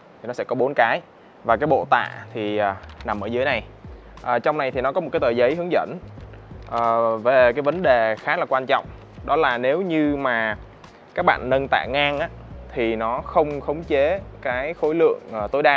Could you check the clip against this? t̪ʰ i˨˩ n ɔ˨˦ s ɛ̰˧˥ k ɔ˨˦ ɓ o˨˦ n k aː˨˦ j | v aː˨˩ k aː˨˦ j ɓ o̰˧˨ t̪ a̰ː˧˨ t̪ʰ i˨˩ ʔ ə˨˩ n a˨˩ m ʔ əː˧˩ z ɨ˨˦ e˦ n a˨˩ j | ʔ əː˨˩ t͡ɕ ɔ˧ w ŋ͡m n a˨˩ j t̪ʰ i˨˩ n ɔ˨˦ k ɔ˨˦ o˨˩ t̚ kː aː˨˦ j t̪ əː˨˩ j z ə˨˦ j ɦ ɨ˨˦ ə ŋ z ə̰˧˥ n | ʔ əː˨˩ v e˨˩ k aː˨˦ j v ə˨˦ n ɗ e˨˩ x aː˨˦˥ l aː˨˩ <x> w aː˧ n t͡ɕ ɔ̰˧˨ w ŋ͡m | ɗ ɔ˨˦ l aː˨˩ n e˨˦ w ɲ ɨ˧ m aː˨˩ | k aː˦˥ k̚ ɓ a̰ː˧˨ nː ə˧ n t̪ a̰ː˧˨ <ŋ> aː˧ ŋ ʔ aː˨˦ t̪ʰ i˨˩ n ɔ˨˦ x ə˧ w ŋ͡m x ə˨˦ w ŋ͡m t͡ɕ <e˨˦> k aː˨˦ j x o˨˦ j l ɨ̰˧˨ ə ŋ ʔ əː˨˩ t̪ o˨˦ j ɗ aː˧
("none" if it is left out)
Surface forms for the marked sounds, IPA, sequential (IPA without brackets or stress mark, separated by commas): k, ŋ, e˨˦